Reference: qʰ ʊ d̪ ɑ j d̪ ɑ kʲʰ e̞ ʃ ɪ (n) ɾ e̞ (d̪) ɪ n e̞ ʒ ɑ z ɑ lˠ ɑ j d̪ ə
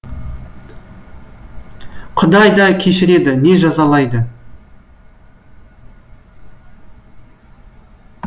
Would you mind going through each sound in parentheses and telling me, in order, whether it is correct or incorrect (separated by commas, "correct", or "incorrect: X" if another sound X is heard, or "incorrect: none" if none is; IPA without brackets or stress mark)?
incorrect: none, correct